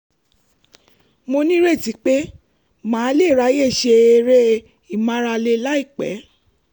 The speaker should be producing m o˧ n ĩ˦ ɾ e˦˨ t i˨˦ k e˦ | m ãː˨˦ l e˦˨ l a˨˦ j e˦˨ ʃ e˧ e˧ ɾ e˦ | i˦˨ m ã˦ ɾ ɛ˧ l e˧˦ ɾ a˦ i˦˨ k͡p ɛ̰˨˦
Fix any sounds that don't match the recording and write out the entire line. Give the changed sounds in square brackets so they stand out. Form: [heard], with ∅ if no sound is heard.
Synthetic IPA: m o˧ n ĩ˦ ɾ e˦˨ t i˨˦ [k͡p] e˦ | m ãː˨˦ l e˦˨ [ɾ] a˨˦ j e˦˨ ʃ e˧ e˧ ɾ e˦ | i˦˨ m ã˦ ɾ [a˧] l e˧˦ [l] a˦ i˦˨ k͡p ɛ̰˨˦